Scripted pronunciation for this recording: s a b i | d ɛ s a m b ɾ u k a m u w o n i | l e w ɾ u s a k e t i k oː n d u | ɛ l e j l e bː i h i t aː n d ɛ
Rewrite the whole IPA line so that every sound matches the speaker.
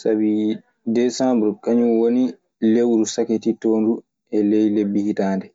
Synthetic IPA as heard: s a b i | d ɛ s a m b ɾ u k a ɲ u w o n i | l e w ɾ u s a k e t i t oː n d u | ɛ l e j l e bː i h i t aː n d ɛ